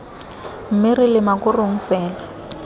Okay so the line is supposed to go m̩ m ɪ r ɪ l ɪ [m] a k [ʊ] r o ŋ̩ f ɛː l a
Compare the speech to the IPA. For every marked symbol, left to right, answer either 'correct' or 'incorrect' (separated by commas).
correct, correct